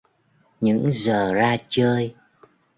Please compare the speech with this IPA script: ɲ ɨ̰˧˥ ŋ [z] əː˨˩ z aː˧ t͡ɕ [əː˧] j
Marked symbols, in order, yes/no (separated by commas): yes, yes